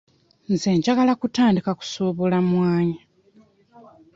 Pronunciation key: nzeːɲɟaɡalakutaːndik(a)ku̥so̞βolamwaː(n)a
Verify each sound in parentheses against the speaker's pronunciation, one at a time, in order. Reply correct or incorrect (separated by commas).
correct, incorrect